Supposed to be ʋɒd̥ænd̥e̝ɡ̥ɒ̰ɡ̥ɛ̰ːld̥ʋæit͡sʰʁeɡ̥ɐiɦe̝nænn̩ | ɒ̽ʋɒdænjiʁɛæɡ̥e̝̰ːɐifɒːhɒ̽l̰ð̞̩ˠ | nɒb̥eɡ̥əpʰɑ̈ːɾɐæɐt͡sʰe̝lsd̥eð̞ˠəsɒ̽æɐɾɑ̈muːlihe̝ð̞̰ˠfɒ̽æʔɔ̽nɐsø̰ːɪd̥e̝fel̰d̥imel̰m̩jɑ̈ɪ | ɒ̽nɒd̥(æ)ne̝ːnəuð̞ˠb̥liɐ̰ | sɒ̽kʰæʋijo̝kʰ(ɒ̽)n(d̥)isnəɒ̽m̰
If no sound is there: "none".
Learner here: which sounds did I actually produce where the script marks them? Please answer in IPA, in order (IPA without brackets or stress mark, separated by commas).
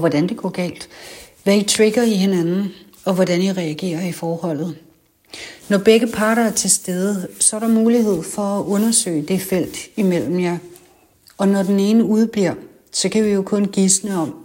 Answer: e, ɔ̽, ɡ̥